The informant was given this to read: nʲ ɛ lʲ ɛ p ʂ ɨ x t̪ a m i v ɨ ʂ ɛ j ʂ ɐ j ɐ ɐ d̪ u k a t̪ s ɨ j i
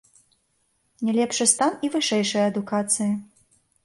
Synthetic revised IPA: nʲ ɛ lʲ ɛ p ʂ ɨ s t̪ a n i v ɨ ʂ ɛ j ʂ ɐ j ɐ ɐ d̪ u k a t̪ s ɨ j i